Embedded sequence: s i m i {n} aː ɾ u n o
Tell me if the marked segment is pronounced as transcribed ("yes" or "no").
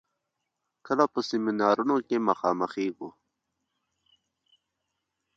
yes